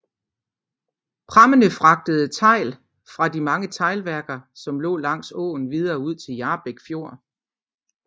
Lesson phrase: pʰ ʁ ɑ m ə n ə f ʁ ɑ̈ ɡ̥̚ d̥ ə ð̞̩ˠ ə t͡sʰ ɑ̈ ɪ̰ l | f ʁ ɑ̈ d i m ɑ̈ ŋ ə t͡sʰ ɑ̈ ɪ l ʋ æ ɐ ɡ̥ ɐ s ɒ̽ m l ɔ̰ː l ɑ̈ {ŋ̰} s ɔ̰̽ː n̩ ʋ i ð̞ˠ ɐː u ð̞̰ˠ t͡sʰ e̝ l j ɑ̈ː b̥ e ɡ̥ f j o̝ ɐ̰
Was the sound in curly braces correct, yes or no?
yes